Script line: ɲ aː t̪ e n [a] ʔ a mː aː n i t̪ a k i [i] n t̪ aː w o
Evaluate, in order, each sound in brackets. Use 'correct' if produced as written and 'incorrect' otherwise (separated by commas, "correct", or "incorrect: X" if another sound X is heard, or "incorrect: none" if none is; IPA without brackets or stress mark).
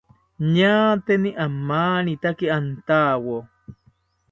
incorrect: i, incorrect: a